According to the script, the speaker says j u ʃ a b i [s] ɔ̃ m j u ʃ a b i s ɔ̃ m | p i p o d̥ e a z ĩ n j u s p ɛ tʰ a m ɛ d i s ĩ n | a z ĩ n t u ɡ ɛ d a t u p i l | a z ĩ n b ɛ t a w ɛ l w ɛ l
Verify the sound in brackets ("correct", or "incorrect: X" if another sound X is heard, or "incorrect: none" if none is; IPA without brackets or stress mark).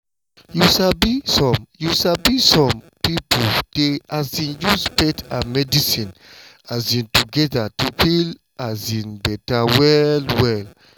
correct